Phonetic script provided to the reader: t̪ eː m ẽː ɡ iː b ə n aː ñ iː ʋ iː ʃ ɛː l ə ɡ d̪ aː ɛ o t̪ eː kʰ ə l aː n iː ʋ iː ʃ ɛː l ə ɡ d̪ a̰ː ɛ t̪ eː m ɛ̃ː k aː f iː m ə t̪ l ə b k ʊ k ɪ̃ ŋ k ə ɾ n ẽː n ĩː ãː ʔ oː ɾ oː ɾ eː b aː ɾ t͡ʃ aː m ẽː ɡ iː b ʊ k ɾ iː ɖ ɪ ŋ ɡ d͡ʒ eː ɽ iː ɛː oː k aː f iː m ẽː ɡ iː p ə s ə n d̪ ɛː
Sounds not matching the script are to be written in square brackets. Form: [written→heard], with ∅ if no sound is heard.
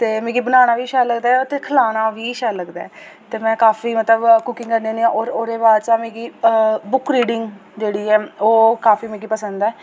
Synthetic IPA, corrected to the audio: t̪ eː m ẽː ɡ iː b ə n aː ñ [iː→aː] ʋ iː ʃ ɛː l ə ɡ d̪ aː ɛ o t̪ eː kʰ ə l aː n [iː→aː] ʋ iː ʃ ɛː l ə ɡ d̪ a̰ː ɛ t̪ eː m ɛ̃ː k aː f iː m ə t̪ l ə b k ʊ k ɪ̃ ŋ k ə ɾ n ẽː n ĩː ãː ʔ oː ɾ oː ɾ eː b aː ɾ t͡ʃ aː m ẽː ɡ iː b ʊ k ɾ iː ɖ ɪ ŋ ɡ d͡ʒ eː ɽ iː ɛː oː k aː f iː m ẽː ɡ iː p ə s ə n d̪ ɛː